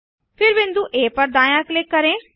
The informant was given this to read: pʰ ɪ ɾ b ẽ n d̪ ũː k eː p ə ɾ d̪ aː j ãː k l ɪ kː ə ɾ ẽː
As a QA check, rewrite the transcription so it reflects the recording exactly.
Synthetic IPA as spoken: pʰ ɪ ɾ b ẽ n d̪ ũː ʔ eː p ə ɾ d̪ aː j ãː k l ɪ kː ə ɾ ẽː